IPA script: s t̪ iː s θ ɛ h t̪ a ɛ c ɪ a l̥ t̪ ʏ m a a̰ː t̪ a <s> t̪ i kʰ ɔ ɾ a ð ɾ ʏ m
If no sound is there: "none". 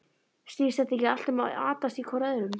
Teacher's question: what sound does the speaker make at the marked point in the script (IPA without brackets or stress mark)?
s